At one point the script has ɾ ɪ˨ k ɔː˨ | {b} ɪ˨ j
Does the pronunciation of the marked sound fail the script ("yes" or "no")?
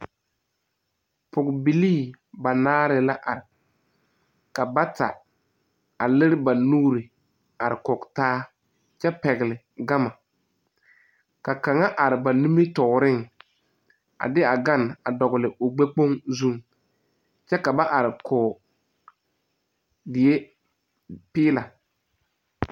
yes